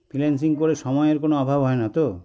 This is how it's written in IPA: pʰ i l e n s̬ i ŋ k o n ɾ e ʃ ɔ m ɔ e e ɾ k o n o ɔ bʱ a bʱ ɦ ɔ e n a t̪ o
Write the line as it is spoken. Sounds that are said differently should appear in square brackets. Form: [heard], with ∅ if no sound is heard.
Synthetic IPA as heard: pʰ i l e n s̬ i ŋ k o [∅] ɾ e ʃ ɔ m ɔ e e ɾ k o n o ɔ bʱ a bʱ ɦ ɔ e n a t̪ o